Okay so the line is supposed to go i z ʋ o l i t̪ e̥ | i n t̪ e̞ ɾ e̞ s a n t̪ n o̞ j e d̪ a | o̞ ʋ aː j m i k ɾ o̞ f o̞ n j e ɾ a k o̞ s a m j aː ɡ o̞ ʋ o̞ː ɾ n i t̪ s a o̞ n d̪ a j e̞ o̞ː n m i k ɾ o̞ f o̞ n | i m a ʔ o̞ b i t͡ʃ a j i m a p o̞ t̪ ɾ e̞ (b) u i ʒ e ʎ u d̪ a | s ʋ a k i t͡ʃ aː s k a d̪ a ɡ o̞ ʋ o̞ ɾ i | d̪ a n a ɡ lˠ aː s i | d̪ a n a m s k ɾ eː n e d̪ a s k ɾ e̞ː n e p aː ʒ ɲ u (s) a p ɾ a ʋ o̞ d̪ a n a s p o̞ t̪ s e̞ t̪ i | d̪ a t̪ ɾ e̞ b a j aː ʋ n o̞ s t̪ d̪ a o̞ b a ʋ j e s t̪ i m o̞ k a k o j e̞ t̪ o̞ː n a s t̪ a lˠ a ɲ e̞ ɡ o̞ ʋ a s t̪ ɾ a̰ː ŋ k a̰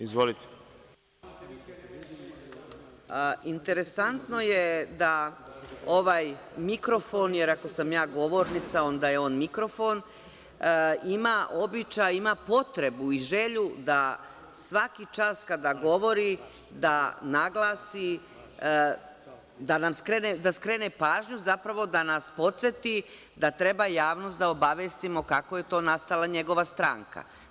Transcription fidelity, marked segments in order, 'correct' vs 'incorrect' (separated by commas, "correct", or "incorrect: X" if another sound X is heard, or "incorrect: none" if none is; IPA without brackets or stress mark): correct, incorrect: z